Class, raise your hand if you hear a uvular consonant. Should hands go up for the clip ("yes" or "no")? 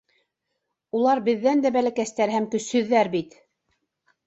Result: no